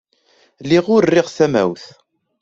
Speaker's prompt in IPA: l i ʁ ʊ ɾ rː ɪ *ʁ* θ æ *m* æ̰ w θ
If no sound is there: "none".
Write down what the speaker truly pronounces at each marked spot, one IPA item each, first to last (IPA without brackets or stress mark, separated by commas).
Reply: ʁ, m